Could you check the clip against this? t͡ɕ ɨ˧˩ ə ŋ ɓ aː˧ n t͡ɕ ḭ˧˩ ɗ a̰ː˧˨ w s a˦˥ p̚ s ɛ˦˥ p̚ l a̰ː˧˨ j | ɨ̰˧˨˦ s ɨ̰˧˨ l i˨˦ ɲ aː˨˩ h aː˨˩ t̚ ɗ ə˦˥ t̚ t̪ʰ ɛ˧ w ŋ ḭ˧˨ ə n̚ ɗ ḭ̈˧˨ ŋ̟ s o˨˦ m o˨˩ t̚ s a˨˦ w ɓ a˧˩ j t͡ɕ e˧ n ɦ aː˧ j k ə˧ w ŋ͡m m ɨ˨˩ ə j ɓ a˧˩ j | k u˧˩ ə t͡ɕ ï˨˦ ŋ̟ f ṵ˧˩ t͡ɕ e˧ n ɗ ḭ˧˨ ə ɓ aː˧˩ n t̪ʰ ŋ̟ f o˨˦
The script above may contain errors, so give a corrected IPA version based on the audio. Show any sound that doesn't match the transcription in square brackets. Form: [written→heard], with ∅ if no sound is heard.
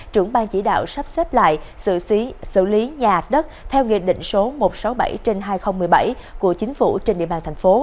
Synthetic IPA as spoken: t͡ɕ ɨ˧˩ ə ŋ ɓ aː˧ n t͡ɕ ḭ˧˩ ɗ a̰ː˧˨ w s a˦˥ p̚ s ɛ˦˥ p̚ l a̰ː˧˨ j | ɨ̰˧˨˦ s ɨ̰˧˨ l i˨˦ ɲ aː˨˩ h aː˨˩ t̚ ɗ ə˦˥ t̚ t̪ʰ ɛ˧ w ŋ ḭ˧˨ ə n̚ ɗ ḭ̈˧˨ ŋ̟ s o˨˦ m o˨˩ t̚ s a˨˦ w ɓ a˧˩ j t͡ɕ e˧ n ɦ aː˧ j [k→x] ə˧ w ŋ͡m m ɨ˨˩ ə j ɓ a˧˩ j | k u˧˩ ə t͡ɕ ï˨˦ ŋ̟ f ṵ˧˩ t͡ɕ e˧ n ɗ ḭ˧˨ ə ɓ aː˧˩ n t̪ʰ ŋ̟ f o˨˦